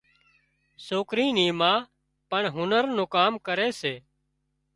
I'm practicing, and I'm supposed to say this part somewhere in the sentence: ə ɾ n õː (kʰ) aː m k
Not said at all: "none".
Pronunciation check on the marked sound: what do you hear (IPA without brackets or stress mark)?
k